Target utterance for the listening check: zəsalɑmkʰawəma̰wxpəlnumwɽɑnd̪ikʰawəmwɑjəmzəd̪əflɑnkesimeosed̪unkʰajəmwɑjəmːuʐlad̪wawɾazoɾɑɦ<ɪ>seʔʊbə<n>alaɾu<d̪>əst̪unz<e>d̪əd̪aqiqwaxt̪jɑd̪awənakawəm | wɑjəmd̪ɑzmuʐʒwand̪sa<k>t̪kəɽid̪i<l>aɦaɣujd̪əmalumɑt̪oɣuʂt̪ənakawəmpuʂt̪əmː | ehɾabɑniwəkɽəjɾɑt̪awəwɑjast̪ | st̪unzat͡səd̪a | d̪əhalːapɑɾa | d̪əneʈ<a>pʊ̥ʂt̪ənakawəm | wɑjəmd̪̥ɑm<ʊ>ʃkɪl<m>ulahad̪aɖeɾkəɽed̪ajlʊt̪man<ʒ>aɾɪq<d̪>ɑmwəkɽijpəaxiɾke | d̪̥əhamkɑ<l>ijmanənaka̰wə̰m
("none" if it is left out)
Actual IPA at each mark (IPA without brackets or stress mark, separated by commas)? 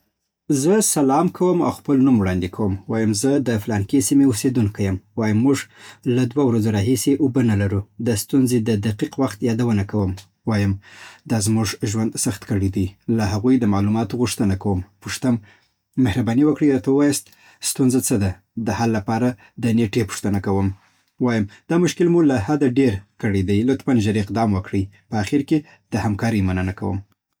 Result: i, n, d̪, e, x, l, e, ʊ, m, ʒ, d̪, ɾ